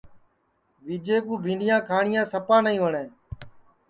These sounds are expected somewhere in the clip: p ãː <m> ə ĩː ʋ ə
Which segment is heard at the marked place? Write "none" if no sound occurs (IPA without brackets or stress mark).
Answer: n